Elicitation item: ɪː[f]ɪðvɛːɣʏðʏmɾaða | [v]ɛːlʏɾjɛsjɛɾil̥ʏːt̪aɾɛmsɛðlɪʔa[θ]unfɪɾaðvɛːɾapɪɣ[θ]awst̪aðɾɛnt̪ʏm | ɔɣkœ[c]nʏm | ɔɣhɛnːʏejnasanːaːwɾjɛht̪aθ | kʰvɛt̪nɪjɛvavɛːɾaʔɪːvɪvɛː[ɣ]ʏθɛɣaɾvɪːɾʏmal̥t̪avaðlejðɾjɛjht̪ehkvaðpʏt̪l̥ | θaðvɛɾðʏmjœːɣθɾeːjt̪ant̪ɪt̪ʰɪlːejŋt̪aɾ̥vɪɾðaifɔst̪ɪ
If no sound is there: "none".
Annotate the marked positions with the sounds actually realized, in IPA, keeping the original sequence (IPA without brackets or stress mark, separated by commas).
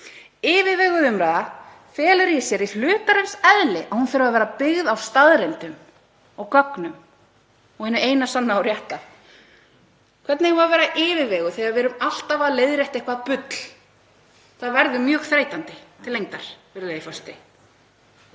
v, f, h, ð, k, ɣ